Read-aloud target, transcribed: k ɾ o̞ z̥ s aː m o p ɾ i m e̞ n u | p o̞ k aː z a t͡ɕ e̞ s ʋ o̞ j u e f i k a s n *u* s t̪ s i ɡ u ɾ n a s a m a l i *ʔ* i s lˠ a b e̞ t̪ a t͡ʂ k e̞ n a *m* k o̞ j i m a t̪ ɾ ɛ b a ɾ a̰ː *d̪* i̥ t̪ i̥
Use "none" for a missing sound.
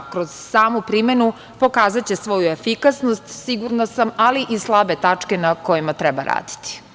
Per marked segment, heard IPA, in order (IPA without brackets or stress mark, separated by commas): o, ʔ, none, d̪